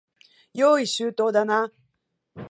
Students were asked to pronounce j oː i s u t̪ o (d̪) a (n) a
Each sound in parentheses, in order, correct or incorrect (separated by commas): correct, correct